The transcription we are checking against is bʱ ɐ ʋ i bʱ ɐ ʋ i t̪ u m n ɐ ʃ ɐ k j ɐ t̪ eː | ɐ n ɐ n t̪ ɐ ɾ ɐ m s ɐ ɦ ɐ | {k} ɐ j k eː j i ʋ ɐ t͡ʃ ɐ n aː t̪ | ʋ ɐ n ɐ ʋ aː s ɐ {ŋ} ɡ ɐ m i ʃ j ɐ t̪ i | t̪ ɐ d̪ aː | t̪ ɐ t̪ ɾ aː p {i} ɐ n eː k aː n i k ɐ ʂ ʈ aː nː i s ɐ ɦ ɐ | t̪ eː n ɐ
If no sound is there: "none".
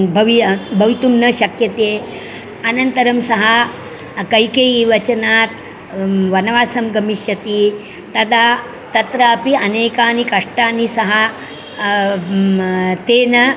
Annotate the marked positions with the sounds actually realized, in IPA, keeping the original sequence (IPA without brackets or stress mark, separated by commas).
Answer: k, m, i